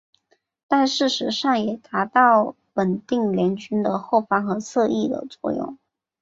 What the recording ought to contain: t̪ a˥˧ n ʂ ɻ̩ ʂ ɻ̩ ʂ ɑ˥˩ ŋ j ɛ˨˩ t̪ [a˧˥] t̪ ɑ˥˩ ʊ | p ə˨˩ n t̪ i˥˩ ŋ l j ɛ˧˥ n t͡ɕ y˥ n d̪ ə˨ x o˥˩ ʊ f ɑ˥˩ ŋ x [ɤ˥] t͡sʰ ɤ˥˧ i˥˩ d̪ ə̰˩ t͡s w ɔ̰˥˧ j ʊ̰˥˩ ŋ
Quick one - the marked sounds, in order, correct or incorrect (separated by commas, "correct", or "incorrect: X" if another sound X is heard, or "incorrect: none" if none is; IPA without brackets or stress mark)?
correct, incorrect: ɤ˧˥